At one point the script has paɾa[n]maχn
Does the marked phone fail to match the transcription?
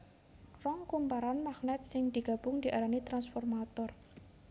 no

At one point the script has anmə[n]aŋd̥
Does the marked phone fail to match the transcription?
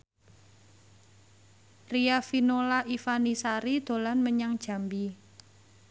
yes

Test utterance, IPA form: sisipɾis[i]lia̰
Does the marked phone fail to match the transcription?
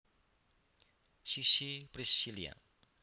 no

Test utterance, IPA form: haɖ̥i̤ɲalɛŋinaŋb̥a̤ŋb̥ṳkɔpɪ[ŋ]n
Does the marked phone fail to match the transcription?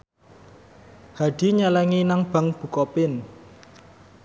yes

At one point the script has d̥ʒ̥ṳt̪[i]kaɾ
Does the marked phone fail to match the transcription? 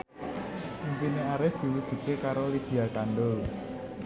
yes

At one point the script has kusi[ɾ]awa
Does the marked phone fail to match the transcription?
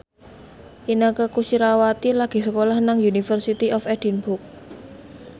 no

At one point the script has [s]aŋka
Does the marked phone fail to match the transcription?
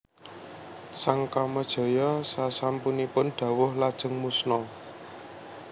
no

